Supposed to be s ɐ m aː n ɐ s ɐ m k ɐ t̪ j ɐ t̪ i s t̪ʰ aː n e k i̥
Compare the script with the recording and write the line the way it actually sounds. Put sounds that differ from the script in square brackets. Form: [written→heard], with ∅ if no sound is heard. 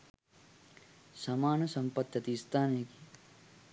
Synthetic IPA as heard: s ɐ m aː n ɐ s ɐ m [k→p] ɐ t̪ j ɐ t̪ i s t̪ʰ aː n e k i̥